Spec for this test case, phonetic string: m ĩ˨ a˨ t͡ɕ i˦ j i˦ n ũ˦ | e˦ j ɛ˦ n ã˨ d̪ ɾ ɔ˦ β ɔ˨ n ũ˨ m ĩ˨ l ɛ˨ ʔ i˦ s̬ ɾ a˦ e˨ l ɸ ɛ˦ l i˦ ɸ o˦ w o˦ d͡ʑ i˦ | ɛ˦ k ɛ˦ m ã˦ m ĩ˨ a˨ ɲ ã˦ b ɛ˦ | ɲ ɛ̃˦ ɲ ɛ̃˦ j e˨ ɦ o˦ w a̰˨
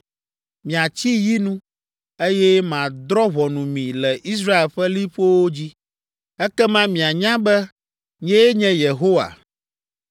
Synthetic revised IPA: m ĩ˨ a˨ t͡ɕ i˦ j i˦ n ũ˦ | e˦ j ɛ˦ m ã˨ d̪ ɾ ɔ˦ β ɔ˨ n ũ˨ m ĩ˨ l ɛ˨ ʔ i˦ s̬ ɾ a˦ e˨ l ɸ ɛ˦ l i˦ ɸ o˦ w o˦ d͡ʑ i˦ | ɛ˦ k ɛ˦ m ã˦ m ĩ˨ a˨ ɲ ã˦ b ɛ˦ | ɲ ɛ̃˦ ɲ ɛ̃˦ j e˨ ɦ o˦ w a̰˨